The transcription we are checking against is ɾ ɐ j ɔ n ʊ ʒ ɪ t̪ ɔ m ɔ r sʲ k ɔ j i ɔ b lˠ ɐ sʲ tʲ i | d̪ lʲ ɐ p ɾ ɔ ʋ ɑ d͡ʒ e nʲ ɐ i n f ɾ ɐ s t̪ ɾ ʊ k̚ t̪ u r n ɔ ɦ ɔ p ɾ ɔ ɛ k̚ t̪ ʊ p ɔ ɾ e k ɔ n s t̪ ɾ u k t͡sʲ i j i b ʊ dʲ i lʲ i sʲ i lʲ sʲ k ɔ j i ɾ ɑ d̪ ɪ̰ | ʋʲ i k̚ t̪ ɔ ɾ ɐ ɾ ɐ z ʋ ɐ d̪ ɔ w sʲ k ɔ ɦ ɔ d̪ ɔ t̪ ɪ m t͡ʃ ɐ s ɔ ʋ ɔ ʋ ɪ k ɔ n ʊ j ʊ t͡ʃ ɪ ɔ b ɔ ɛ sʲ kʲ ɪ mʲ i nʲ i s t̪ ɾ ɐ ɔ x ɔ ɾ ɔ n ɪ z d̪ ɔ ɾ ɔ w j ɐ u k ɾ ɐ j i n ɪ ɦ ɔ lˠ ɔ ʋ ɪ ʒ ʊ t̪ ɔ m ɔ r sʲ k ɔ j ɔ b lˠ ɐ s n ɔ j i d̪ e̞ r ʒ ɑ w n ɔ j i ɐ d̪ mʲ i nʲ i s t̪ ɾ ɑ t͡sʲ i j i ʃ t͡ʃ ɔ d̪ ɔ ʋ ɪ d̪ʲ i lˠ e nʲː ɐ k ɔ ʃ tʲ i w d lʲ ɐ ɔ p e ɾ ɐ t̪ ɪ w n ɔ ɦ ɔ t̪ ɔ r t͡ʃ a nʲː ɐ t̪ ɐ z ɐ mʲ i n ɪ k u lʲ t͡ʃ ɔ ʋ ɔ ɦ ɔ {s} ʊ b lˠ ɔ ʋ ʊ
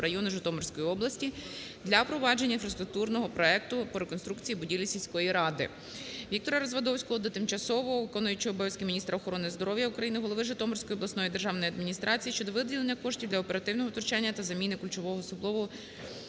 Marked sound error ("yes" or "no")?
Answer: no